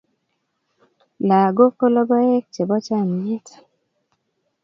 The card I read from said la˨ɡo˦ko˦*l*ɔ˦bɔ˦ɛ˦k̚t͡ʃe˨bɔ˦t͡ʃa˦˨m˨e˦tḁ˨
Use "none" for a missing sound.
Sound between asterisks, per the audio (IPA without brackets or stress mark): l